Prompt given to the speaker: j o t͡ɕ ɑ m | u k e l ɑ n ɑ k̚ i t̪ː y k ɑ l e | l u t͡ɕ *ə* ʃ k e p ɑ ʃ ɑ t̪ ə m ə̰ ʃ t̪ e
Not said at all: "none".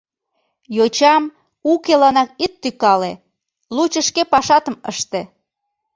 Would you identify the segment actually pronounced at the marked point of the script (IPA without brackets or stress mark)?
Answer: ə